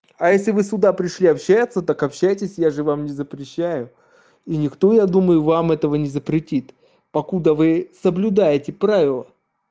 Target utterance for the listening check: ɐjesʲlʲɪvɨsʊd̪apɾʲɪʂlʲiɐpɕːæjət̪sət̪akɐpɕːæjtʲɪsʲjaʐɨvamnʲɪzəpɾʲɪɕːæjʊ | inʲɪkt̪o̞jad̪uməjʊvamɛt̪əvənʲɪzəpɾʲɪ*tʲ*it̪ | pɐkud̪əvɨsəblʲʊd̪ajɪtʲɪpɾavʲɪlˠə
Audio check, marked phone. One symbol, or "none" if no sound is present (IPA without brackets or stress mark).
tʲ